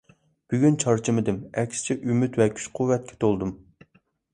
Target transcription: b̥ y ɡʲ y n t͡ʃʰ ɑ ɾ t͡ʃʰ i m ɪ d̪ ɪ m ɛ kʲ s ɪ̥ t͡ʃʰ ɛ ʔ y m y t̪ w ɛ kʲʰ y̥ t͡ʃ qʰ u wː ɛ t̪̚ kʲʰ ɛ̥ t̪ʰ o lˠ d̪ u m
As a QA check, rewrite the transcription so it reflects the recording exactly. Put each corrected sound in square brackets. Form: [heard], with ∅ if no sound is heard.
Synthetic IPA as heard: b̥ y ɡʲ y n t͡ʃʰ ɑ ɾ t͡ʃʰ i m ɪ d̪ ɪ m ɛ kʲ s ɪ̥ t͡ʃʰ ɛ ʔ y m y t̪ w ɛ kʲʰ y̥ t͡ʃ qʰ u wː ɛ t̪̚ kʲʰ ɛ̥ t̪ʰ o lˠ d̪ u m